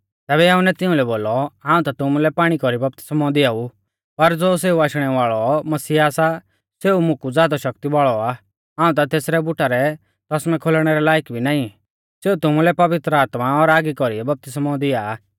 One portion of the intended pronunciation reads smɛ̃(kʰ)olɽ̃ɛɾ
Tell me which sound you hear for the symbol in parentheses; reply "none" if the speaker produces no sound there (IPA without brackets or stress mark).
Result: kʰ